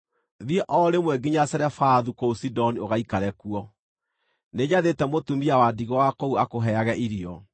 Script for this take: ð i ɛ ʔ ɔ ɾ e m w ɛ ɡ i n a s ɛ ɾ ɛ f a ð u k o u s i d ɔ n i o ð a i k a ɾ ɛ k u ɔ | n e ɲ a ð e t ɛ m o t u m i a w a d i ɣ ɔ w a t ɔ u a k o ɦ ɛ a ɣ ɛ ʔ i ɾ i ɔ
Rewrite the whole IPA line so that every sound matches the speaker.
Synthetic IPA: ð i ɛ ʔ ɔ ɾ e m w ɛ ɡ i ɲ a s ɛ ɾ ɛ f a ð u k o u s i d ɔ n i o ɣ a i k a ɾ ɛ k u ɔ | n e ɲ a ð e t ɛ m o t u m i a w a d i ɣ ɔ w a k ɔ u a k o ɦ ɛ a ɣ ɛ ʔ i ɾ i ɔ